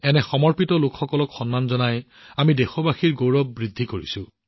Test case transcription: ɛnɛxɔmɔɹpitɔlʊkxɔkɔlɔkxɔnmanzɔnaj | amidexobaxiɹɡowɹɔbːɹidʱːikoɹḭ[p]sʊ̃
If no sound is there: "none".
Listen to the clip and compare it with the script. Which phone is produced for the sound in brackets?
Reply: none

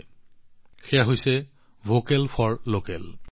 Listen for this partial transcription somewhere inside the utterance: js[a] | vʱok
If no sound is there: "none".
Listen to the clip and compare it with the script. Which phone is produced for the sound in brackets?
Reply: ɛ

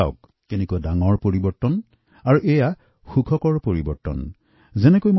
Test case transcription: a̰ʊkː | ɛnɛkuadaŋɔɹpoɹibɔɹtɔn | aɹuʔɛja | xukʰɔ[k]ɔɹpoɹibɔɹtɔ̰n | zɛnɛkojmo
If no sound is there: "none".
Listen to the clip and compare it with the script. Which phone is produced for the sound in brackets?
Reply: k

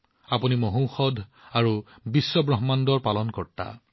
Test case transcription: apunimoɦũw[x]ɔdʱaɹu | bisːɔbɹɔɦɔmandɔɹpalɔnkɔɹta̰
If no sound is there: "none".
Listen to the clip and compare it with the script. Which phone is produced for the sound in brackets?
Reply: x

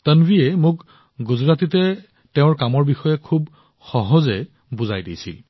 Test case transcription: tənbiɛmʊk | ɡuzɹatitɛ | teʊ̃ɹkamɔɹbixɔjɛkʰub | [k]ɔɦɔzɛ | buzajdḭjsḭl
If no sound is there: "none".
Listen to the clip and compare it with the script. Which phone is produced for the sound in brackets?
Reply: x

